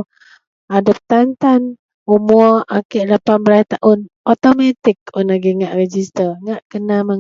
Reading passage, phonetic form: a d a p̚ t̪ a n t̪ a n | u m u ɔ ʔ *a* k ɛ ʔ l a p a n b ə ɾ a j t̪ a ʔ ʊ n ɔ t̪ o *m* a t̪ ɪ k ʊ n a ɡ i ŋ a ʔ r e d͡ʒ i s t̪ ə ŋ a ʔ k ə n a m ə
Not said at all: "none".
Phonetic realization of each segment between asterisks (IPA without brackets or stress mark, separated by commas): a, m